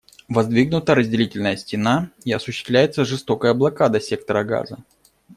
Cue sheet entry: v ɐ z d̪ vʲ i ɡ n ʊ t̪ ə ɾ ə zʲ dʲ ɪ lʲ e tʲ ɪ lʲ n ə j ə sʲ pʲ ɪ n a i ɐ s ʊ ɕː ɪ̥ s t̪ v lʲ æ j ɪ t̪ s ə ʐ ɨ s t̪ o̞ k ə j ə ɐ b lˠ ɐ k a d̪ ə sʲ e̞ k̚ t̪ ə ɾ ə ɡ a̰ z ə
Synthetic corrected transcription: v ɐ z d̪ vʲ i ɡ n ʊ t̪ ə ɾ ə zʲ dʲ ɪ lʲ i tʲ ɪ lʲ n ə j ə sʲ tʲ ɪ n a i ɐ s ʊ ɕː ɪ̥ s t̪ v lʲ æ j ɪ t̪ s ə ʐ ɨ s t̪ o̞ k ə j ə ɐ b lˠ ɐ k a d̪ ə sʲ e̞ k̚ t̪ ə ɾ ə ɡ a̰ z ə